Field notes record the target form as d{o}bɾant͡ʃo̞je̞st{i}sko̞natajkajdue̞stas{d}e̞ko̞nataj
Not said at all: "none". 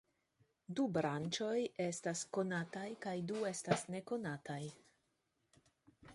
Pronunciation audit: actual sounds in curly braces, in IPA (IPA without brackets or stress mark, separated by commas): u, a, n